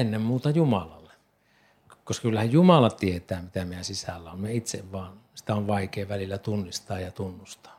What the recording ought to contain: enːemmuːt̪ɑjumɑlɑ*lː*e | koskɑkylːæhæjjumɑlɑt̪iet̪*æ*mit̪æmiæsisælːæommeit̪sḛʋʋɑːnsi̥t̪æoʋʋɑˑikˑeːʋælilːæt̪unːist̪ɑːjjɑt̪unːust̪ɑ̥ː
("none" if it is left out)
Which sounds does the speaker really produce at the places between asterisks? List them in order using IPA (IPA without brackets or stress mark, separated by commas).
lː, æː